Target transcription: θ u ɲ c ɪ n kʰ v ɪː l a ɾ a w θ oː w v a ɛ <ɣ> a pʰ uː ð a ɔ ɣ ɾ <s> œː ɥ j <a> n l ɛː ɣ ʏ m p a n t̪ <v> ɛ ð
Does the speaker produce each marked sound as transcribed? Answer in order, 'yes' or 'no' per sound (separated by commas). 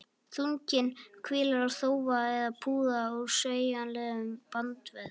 no, yes, yes, yes